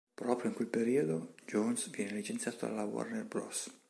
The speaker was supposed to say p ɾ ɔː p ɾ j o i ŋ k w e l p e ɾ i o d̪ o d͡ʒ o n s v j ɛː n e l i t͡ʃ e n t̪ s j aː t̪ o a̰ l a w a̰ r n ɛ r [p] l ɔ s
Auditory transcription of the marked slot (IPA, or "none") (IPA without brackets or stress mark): b